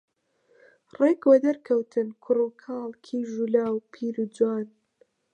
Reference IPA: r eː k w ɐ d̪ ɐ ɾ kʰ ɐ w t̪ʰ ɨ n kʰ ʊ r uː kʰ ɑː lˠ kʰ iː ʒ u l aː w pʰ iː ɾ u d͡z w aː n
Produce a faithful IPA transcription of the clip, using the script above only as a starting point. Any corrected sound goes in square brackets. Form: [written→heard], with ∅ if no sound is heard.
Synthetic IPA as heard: r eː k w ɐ d̪ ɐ ɾ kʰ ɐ w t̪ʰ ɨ n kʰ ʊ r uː kʰ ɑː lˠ kʰ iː ʒ u l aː w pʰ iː ɾ u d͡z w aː n